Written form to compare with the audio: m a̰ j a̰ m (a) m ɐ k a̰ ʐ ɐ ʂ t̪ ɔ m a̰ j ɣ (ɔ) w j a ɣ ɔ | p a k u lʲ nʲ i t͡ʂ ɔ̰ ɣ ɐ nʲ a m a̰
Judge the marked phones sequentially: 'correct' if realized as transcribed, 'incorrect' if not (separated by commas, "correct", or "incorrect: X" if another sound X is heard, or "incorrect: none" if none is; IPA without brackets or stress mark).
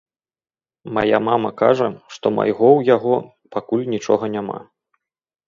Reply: correct, correct